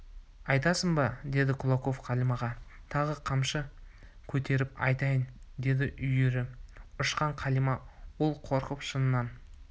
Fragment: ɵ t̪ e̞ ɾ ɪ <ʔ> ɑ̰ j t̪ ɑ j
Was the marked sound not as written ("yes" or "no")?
yes